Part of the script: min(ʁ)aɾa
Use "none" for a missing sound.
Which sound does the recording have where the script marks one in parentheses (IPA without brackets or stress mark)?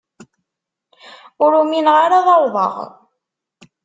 ʁ